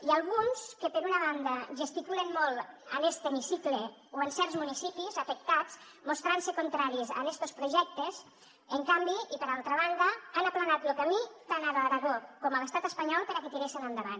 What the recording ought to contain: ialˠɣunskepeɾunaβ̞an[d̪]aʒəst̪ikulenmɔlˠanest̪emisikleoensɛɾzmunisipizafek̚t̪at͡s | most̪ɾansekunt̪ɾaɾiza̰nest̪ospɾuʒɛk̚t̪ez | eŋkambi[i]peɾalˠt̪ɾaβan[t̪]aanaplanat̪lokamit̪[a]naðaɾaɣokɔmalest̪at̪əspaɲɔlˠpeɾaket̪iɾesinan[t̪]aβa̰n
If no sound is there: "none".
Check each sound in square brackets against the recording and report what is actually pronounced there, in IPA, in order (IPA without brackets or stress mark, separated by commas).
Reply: d̪, i, d̪, a, d̪